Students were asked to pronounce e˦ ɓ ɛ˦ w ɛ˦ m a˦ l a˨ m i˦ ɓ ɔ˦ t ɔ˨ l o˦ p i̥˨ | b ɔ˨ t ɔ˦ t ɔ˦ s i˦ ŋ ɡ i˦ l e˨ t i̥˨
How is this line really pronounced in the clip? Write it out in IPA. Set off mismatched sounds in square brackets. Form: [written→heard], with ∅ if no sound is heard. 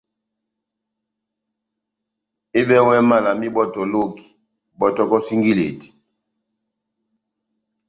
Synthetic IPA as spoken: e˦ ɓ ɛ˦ w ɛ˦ m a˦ l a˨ m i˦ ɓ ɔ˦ t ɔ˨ l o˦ [p→k] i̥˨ | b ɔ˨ t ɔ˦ [t→k] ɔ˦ s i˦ ŋ ɡ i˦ l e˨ t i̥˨